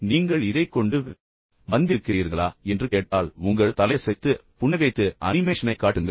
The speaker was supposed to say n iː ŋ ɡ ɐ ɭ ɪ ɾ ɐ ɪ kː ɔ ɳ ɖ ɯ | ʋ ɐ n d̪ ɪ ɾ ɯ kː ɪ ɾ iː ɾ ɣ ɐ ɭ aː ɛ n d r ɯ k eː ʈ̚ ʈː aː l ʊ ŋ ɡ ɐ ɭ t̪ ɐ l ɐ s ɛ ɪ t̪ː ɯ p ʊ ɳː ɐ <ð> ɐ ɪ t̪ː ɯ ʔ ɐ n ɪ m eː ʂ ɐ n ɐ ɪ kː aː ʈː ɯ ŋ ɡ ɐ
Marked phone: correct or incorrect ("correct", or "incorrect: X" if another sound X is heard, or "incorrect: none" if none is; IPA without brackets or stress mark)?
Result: incorrect: ɣ